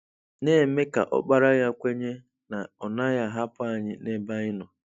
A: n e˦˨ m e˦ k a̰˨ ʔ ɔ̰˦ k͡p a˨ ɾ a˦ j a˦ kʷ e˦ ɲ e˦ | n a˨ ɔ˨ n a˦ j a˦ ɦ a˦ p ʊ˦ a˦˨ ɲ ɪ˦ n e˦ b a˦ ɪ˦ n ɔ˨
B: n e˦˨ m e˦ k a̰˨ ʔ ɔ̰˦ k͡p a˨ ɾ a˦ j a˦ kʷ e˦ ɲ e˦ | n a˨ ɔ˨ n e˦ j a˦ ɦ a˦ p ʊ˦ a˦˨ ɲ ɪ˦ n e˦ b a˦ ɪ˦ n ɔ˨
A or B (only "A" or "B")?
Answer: A